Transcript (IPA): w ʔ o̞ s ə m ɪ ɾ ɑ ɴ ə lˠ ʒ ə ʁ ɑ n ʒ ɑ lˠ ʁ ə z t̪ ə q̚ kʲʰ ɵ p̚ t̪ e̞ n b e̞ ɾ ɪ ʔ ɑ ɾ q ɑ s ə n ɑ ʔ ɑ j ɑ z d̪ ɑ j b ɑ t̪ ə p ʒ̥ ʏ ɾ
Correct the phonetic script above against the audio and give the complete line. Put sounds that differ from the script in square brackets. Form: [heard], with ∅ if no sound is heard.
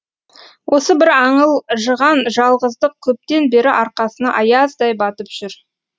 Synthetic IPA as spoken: w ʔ o̞ s ə [b] ɪ ɾ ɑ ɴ ə lˠ ʒ ə ʁ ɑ n ʒ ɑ lˠ ʁ ə z [d̪] ə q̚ kʲʰ ɵ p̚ t̪ e̞ n b e̞ ɾ ɪ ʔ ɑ ɾ q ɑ s ə n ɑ ʔ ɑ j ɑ z d̪ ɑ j b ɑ t̪ ə p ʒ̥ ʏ ɾ